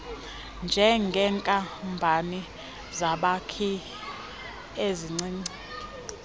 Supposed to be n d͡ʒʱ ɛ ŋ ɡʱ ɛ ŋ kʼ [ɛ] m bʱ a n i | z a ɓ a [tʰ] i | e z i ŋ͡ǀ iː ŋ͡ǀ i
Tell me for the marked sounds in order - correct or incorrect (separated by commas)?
incorrect, incorrect